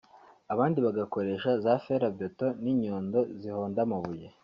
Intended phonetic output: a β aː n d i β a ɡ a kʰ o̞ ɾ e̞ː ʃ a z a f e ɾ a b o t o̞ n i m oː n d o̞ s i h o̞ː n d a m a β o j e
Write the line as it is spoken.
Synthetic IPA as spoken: a β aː n d i β a ɡ a k o̞ ɾ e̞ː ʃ a z a f e ɾ a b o t o̞ n i ɲ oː n d o̞ z i h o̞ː n d a m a β u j e